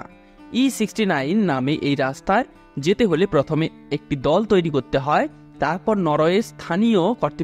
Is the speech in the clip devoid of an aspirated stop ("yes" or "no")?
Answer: no